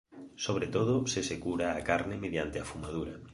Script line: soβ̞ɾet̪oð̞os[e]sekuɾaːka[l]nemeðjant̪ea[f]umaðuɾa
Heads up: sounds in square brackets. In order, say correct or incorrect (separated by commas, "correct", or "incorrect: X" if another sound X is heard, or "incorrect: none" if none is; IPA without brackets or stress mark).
correct, incorrect: ɾ, correct